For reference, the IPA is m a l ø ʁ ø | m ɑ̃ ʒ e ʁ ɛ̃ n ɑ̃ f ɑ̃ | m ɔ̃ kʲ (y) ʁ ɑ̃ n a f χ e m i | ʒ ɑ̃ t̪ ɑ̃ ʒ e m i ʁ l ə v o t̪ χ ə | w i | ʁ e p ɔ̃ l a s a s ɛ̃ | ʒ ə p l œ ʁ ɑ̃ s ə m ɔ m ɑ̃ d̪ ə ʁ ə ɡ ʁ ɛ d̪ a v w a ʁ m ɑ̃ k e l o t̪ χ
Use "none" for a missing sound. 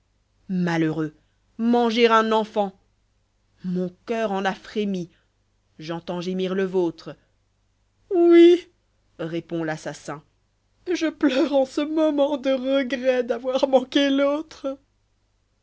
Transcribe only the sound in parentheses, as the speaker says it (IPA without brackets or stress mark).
œ